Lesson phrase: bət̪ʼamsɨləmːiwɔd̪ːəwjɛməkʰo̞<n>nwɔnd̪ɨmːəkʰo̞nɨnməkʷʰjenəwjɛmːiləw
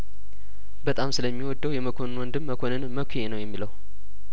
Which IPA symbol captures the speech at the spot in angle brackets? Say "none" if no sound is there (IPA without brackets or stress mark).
n